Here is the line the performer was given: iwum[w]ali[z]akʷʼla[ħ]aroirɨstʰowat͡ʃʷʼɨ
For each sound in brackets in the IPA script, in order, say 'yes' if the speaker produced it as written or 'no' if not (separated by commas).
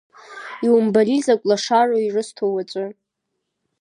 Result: no, yes, no